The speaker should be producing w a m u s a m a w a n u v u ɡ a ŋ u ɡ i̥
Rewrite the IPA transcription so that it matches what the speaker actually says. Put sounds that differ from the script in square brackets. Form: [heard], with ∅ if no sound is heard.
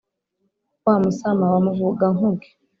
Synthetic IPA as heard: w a m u s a m a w a [m] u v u ɡ a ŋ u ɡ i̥